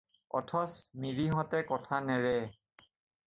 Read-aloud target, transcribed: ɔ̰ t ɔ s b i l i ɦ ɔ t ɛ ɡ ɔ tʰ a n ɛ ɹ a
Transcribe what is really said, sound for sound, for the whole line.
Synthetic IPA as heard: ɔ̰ tʰ ɔ s m i ɹ i ɦ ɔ t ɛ k ɔ tʰ a n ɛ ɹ ɛ